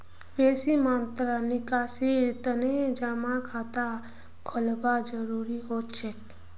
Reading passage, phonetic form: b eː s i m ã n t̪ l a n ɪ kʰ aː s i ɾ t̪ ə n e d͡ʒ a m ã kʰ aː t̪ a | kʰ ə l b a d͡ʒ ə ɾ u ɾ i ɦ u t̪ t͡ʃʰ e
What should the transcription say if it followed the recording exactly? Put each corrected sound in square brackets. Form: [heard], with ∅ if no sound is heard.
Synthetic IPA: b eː s i m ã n t̪ [ɾ] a n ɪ [k] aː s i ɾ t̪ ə n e d͡ʒ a m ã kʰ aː t̪ a | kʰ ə l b a d͡ʒ ə ɾ u ɾ i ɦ [o] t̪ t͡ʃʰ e